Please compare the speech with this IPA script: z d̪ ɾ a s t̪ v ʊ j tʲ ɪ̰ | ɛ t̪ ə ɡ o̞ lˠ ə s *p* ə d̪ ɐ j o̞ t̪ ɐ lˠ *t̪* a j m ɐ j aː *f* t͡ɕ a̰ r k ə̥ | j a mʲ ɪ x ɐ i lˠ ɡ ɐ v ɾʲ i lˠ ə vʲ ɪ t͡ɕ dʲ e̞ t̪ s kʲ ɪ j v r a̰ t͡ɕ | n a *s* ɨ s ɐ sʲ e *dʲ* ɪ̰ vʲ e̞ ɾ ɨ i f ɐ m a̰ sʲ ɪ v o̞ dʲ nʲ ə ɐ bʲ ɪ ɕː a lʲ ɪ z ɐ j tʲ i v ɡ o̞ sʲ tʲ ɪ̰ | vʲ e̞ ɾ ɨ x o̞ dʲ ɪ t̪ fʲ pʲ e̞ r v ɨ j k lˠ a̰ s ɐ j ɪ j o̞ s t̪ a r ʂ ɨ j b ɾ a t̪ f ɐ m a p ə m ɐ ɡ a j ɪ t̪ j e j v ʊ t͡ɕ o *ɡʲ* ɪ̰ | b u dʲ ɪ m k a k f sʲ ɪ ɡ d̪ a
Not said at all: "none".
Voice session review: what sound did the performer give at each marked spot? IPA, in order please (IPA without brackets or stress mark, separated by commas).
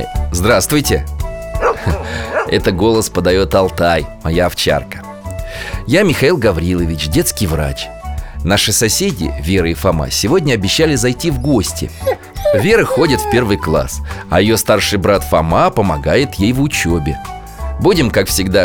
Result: p, t̪, f, ʂ, dʲ, bʲ